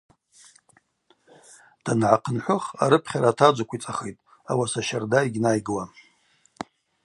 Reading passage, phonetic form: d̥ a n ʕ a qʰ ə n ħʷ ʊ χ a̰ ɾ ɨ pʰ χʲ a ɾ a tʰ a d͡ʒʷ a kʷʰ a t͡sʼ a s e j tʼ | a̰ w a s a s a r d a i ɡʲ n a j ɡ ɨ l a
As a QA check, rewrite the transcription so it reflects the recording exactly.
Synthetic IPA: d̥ a n ʕ a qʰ ə n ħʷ ʊ χ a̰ ɾ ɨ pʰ χʲ a ɾ a tʰ a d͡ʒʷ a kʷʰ i t͡sʼ a χ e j tʼ | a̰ w a s a ʃ a r d a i ɡʲ n a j ɡ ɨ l a